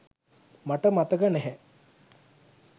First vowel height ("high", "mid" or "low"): low